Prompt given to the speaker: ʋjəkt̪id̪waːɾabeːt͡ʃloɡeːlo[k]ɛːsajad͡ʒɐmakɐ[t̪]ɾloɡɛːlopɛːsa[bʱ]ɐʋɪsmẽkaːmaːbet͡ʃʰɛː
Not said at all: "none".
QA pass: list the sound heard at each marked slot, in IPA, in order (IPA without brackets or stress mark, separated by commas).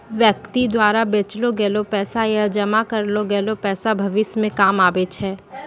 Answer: p, none, bʱ